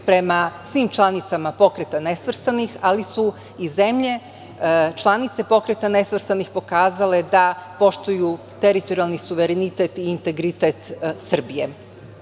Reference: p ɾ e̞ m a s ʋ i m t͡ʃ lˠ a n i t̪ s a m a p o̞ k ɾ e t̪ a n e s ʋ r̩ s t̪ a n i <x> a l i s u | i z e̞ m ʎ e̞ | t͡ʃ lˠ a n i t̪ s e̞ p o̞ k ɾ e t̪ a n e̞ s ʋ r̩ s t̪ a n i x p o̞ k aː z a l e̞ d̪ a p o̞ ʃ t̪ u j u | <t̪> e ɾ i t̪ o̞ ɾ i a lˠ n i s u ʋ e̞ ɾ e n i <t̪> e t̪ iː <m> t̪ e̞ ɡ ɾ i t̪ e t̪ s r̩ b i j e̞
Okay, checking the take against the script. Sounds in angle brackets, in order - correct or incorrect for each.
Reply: correct, correct, correct, incorrect

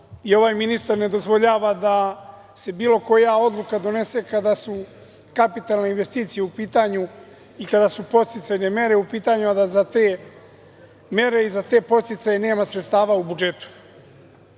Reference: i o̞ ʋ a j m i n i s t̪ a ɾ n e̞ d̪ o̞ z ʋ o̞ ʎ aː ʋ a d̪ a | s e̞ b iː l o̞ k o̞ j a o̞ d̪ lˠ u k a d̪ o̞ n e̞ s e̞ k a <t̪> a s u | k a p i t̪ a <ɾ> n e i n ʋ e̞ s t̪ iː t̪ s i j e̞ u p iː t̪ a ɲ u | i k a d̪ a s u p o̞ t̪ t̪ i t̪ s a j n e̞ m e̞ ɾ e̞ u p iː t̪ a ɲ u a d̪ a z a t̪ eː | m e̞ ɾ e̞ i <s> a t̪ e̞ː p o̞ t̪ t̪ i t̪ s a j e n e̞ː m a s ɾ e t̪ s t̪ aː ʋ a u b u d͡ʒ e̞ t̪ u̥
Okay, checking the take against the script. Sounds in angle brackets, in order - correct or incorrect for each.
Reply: incorrect, incorrect, incorrect

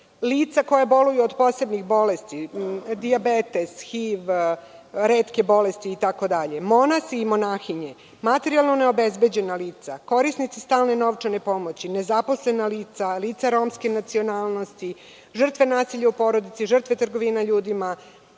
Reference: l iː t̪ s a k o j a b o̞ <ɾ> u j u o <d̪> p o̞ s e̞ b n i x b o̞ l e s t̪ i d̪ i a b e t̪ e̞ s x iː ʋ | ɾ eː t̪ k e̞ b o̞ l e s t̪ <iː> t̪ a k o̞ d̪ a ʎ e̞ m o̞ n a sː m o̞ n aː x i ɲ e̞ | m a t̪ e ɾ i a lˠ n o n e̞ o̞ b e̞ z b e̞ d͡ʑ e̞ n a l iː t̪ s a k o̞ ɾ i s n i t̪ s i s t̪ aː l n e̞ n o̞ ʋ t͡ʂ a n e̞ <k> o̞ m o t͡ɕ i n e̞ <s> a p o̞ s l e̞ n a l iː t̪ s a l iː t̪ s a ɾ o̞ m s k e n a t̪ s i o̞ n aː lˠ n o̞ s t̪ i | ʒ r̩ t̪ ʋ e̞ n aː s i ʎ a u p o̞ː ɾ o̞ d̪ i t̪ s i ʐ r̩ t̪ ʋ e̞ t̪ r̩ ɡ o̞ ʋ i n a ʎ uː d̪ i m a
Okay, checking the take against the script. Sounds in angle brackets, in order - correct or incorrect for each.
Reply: incorrect, correct, correct, incorrect, incorrect

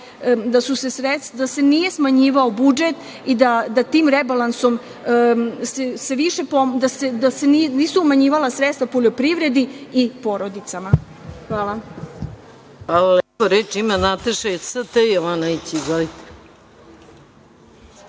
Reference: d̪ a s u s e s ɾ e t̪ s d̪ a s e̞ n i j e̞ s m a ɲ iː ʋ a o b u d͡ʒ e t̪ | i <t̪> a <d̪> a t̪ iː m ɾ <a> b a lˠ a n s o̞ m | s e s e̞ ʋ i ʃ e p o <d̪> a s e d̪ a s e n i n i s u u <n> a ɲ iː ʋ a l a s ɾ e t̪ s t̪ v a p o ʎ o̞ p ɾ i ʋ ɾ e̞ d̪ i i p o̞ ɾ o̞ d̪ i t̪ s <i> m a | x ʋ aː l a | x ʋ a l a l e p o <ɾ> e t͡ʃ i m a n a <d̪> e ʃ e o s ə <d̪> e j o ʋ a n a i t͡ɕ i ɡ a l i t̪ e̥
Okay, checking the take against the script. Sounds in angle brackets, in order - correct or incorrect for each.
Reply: incorrect, correct, incorrect, correct, incorrect, incorrect, correct, incorrect, incorrect

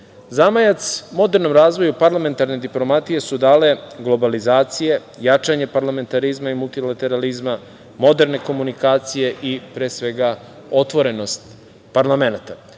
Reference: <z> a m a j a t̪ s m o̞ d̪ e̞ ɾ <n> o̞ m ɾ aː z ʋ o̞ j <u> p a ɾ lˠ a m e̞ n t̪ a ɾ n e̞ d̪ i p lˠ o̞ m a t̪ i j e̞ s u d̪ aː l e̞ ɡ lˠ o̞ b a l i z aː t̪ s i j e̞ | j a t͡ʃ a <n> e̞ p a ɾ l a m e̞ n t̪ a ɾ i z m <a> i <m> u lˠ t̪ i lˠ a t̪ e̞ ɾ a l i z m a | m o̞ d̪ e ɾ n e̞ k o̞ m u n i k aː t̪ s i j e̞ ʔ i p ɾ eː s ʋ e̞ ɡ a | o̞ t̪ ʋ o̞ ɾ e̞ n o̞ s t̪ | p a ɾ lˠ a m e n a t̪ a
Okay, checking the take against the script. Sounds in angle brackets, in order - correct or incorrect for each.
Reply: correct, correct, correct, incorrect, correct, correct

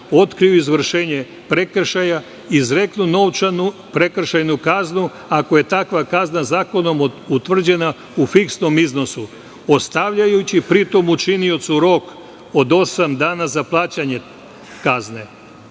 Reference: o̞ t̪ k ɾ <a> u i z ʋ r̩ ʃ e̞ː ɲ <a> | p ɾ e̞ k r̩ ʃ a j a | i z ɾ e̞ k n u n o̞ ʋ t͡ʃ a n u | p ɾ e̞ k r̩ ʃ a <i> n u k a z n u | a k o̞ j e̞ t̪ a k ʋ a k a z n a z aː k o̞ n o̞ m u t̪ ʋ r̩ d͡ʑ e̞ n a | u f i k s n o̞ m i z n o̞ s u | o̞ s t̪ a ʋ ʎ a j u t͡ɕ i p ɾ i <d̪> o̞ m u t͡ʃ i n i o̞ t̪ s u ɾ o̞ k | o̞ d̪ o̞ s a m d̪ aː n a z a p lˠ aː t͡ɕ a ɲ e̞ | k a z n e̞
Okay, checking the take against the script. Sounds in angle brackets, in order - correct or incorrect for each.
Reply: incorrect, incorrect, incorrect, incorrect

